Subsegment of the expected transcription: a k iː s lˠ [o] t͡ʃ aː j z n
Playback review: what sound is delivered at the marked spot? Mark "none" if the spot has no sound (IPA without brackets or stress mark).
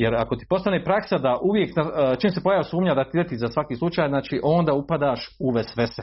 u